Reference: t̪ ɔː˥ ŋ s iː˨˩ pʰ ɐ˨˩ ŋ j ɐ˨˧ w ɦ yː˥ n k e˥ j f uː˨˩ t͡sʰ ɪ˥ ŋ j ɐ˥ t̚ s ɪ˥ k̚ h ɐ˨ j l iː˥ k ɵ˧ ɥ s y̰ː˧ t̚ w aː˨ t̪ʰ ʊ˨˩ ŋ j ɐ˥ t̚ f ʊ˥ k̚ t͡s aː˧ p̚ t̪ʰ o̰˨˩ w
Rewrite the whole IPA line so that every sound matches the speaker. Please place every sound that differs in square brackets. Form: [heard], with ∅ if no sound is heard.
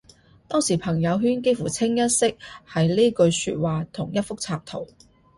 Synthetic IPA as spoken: t̪ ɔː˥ ŋ s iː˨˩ pʰ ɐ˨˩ ŋ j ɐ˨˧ w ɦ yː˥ n k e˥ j f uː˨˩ t͡sʰ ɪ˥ ŋ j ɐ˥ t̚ s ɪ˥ k̚ h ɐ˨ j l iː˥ k ɵ˧ ɥ s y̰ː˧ t̚ w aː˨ t̪ʰ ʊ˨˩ ŋ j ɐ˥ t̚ f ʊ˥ k̚ [t͡sʰ] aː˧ p̚ t̪ʰ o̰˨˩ w